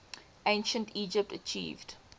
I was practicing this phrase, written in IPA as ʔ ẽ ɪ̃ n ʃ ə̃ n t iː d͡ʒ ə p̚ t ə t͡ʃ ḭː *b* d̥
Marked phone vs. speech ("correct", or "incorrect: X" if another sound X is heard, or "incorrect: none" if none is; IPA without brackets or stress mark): incorrect: v